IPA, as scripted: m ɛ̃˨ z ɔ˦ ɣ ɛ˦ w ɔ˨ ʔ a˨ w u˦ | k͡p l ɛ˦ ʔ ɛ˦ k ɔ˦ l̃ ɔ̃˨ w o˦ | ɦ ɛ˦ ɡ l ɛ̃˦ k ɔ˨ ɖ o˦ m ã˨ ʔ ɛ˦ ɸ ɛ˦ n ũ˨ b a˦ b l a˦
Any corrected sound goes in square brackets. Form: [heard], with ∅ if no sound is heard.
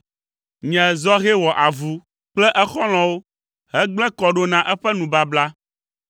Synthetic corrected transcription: [ɲ] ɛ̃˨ z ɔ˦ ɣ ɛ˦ w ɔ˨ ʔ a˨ [v] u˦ | k͡p l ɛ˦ ʔ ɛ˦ [x] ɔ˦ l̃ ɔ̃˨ w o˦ | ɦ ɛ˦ [ɡ͡b] l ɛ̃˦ k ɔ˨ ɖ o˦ [n] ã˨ ʔ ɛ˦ ɸ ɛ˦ n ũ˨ b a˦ b l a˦